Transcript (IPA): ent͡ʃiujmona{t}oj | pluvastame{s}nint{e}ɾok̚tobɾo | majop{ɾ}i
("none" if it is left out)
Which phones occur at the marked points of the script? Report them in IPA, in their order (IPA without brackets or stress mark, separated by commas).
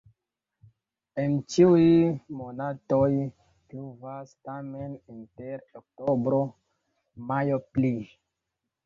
t, none, e, l